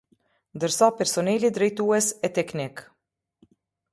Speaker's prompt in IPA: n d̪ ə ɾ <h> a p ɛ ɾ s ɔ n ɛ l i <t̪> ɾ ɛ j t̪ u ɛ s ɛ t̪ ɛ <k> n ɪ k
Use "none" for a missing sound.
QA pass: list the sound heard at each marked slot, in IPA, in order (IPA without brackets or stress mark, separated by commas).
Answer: s, d̪, k